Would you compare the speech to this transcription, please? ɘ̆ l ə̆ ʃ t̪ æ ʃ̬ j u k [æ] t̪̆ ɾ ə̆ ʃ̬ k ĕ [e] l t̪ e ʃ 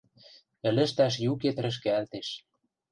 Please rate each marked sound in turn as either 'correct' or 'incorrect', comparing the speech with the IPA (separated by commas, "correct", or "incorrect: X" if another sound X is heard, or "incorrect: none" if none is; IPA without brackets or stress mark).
incorrect: e, incorrect: æ